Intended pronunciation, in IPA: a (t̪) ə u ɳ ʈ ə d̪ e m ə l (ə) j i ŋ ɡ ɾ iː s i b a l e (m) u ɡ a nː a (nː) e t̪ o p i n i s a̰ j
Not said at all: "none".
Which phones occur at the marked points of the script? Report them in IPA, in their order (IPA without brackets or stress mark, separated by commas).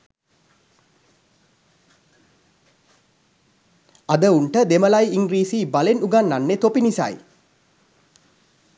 d̪, a, n, nː